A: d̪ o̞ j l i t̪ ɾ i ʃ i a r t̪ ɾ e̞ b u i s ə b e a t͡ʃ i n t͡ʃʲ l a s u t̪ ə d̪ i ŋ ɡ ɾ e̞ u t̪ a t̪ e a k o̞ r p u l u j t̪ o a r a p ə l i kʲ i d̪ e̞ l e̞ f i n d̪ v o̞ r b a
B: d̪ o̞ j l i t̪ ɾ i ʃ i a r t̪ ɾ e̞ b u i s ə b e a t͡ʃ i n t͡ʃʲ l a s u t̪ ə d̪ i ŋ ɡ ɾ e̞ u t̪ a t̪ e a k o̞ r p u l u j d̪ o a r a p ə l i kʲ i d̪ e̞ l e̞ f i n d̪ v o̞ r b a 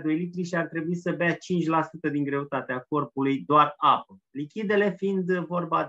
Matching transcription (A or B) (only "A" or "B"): B